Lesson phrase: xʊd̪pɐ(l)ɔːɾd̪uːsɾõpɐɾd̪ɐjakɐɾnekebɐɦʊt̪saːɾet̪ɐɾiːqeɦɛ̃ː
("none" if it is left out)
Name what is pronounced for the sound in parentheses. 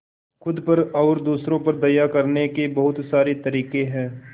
ɾ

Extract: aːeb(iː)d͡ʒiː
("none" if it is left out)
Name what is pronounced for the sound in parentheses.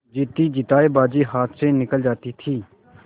aː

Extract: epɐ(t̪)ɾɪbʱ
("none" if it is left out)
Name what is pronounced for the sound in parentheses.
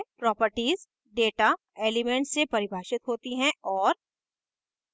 none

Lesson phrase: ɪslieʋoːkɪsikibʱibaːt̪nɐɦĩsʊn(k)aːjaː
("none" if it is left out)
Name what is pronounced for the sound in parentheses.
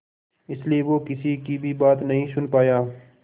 p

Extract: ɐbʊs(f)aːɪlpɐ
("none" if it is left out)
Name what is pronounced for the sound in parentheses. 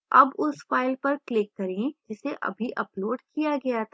f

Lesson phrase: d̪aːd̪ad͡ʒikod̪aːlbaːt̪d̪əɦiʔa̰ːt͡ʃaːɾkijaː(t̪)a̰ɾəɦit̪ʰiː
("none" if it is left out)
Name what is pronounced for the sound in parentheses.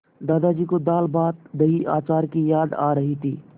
d̪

